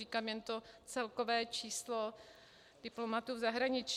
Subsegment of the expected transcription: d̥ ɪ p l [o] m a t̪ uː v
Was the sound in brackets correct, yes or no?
yes